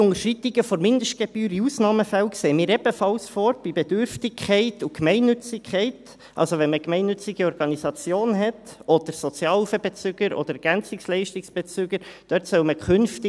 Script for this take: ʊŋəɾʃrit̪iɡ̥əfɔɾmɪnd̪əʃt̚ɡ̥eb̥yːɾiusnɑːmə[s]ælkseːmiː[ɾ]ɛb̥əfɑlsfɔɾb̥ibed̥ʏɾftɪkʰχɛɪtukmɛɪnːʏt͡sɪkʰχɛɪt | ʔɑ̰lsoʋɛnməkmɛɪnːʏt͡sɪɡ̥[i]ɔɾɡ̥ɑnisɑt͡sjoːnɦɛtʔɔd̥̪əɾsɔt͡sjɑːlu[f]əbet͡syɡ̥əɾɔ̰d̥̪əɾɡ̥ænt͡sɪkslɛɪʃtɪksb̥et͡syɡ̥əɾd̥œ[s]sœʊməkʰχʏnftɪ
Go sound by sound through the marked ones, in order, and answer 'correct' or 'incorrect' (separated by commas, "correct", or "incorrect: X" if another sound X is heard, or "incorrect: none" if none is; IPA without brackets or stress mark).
incorrect: f, correct, correct, correct, incorrect: t